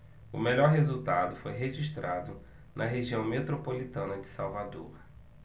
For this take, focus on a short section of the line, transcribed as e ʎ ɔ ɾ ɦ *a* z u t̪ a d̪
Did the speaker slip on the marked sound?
yes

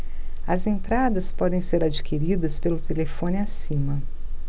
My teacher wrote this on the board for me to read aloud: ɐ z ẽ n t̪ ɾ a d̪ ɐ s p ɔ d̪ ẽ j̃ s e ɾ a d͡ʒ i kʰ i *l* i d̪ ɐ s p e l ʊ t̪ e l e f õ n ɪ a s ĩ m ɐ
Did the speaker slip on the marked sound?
yes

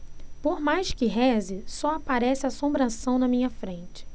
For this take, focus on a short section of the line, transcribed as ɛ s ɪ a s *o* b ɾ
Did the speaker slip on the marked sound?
yes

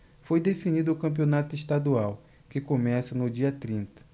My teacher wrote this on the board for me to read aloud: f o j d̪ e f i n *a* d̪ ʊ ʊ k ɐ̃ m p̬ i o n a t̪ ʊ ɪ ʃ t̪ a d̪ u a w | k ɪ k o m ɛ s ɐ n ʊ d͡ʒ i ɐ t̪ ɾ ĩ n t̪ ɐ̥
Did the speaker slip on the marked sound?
yes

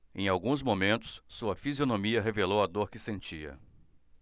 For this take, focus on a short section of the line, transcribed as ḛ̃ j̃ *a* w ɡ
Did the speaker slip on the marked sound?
no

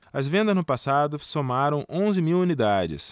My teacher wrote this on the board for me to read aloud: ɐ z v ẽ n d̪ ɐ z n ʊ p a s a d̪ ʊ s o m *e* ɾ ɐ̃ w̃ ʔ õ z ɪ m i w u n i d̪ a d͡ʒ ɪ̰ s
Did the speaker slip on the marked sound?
yes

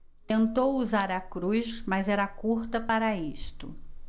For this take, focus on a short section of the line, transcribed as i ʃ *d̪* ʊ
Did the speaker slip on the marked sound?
yes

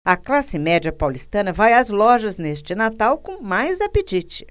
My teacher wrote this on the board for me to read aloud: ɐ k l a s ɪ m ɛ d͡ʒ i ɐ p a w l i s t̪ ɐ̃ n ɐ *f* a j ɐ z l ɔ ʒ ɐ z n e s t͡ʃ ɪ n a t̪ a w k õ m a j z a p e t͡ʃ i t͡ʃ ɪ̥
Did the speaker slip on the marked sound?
yes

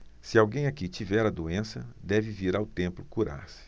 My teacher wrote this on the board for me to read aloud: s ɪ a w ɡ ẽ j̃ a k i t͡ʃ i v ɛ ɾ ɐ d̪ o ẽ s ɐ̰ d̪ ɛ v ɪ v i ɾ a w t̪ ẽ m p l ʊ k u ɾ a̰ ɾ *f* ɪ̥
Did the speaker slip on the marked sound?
yes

